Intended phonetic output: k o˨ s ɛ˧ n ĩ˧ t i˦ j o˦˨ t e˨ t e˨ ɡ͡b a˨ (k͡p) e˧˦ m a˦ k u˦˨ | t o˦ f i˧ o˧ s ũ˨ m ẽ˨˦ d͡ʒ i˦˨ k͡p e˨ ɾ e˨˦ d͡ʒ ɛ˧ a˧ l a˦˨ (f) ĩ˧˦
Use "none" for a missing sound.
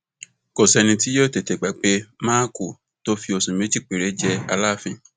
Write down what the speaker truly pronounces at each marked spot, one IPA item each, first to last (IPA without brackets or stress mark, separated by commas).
k͡p, f